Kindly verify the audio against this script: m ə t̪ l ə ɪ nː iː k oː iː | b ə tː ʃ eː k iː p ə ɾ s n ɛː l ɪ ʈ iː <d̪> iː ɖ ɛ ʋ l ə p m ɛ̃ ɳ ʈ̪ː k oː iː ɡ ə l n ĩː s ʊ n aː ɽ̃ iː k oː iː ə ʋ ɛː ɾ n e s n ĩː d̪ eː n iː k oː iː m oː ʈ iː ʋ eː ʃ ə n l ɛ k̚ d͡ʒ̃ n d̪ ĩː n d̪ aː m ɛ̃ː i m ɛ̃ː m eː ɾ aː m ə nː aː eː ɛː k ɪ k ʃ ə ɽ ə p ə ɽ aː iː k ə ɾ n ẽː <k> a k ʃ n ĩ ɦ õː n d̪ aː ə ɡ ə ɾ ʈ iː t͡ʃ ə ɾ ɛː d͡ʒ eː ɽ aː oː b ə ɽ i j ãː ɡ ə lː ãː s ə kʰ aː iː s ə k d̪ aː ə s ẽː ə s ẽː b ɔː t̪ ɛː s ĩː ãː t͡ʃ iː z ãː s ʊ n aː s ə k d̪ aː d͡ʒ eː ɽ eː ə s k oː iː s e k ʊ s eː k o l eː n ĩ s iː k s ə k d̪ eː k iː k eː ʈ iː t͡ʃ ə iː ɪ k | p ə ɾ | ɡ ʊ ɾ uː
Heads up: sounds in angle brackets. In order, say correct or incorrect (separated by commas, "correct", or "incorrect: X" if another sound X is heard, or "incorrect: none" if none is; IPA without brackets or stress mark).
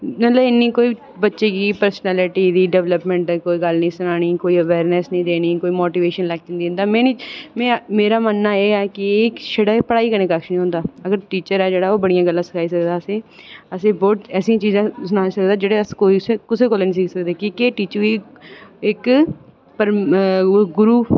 correct, correct